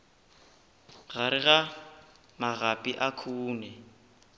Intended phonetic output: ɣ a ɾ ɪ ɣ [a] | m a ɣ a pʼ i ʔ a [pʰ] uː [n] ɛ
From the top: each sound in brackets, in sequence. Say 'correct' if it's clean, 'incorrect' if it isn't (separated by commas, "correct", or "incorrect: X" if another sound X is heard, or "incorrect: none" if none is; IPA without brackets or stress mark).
correct, incorrect: kʰ, correct